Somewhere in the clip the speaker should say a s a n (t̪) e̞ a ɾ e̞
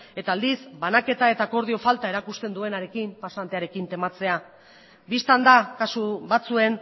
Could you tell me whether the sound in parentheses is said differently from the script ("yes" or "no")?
no